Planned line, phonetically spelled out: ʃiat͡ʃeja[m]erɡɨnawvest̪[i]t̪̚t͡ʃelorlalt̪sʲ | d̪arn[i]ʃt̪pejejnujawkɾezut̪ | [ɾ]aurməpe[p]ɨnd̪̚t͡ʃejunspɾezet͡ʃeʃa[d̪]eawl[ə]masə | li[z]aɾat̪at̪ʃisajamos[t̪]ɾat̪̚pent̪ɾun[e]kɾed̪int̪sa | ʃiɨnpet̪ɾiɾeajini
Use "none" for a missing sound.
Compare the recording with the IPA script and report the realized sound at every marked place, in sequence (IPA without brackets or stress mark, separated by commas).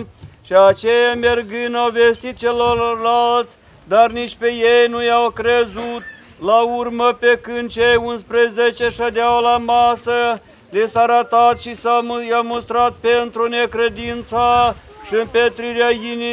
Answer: m, i, i, l, k, d̪, a, s, t̪, e